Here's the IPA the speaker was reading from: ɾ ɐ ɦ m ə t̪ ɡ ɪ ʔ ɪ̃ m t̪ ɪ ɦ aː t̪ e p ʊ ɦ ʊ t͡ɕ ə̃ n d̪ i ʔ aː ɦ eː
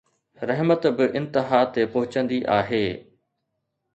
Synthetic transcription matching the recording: ɾ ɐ ɦ m ə t̪ b ɪ ʔ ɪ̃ n t̪ ɪ ɦ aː t̪ e p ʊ ɦ ʊ t͡ɕ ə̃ n d̪ i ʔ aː ɦ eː